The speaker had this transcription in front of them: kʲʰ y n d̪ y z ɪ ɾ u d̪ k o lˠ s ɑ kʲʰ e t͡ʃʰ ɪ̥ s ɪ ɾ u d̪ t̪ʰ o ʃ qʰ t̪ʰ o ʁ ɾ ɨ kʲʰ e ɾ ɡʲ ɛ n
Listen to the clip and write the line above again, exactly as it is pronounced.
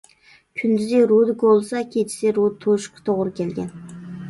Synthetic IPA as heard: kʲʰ y n d̪ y z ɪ ɾ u d̪ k o lˠ s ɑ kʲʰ e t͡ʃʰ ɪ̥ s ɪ ɾ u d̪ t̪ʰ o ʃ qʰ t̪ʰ o ʁ ɾ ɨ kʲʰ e l ɡʲ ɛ n